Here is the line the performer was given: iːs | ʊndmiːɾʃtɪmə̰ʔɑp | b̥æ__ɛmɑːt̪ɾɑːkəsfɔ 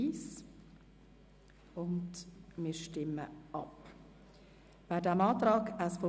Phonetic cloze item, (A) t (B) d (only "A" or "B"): B